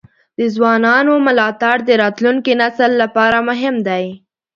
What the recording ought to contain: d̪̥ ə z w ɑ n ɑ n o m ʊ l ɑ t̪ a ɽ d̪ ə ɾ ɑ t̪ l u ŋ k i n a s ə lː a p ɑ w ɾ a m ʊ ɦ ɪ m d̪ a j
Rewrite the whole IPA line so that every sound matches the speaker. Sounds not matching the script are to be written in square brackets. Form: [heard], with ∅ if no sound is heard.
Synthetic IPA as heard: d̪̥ ə z w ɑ n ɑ n o m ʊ l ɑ t̪ a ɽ d̪ ə ɾ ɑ t̪ l u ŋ k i n a s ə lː a p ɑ [∅] ɾ a m ʊ ɦ ɪ m d̪ a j